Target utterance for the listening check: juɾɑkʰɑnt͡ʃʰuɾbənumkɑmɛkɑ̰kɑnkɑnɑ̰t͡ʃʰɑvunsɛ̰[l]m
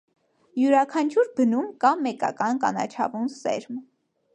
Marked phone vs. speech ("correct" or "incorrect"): incorrect